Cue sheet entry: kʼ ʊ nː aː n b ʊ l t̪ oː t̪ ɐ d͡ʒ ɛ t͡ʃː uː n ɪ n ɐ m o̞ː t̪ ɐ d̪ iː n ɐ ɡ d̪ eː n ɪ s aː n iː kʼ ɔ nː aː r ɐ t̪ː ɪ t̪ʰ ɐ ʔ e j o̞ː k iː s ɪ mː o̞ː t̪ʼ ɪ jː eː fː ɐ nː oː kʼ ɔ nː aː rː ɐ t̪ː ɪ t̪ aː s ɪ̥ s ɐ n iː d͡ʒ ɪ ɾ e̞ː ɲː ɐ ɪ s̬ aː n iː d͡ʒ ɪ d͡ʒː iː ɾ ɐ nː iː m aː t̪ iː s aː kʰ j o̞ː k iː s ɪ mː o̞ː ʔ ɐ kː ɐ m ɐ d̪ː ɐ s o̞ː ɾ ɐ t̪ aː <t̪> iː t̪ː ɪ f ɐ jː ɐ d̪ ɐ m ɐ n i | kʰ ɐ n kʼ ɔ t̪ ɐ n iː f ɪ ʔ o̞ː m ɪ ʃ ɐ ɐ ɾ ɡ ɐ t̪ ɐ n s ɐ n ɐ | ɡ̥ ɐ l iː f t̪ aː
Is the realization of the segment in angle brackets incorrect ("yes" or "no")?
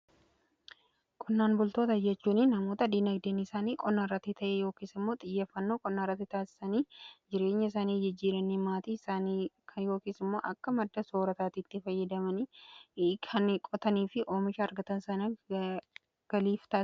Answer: no